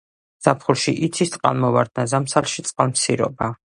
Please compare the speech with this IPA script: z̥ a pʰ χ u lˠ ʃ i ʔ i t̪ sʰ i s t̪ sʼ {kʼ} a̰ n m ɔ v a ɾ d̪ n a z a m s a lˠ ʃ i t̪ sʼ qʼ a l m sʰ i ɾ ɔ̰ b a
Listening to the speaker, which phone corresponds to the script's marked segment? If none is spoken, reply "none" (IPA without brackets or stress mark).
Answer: qʼ